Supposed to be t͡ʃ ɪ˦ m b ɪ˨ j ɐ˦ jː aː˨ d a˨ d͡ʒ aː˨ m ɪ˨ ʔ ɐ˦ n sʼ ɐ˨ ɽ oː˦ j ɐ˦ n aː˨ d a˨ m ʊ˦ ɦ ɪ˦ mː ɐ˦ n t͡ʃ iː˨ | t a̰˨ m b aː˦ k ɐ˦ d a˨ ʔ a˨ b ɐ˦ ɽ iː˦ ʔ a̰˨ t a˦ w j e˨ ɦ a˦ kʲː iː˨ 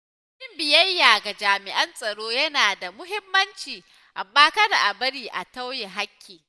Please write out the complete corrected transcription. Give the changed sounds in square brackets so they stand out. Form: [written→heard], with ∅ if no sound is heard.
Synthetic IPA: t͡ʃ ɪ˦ m b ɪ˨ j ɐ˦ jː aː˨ [d→ɡ] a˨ d͡ʒ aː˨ m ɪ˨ ʔ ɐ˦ n sʼ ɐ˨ ɽ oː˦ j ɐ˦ n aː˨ d a˨ m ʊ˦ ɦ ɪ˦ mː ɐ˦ n t͡ʃ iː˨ | [t→ʔ] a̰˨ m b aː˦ k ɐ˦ d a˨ ʔ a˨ b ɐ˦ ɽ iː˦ ʔ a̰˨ t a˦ w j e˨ ɦ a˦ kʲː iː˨

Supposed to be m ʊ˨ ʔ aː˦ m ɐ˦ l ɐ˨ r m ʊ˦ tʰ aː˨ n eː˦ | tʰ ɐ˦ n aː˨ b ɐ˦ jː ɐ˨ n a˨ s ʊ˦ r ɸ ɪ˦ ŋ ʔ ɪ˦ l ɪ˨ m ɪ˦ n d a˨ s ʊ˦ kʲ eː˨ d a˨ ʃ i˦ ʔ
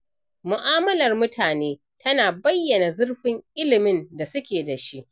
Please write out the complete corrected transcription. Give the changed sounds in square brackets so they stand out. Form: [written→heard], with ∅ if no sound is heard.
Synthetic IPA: m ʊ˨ ʔ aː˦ m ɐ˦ l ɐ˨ r m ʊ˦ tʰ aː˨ n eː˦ | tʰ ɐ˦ n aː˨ b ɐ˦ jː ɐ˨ n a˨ [s→z] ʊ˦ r ɸ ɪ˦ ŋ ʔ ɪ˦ l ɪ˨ m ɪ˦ n d a˨ s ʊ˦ kʲ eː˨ d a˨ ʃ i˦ ʔ

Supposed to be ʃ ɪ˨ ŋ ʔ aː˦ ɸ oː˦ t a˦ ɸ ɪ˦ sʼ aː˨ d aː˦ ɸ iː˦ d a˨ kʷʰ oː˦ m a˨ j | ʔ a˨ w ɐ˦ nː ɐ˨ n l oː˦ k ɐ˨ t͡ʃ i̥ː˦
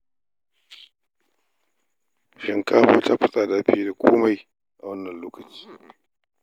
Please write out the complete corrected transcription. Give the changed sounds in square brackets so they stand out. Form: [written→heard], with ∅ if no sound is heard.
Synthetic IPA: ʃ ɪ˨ ŋ [ʔ→k] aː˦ ɸ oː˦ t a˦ ɸ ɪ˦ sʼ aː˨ d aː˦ ɸ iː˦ d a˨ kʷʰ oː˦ m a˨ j | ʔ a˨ w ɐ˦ nː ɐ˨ n l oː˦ k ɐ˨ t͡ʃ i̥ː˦

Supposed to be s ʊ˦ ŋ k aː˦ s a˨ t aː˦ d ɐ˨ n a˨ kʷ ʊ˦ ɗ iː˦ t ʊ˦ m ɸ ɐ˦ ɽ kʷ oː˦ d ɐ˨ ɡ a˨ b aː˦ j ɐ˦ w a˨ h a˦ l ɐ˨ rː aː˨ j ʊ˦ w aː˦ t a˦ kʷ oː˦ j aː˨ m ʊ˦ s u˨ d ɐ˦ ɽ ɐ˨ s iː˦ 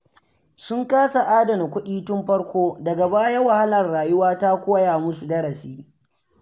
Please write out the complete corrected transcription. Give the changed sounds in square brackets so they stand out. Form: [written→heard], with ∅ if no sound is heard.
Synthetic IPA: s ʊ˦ ŋ k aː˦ s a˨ [t→ʔ] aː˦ d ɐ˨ n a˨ kʷ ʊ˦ ɗ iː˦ t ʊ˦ m ɸ ɐ˦ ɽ kʷ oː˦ d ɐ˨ ɡ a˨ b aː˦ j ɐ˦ w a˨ h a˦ l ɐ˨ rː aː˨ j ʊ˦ w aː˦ t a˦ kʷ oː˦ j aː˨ m ʊ˦ s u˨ d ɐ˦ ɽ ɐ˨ s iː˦

